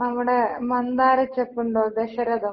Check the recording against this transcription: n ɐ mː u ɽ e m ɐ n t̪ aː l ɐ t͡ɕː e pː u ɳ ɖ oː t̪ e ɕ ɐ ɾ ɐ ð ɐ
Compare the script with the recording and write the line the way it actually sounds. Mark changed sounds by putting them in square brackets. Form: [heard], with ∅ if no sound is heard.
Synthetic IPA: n ɐ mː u ɽ e m ɐ n [d̪] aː [ɾ] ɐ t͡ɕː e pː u ɳ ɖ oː [d̪] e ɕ ɐ ɾ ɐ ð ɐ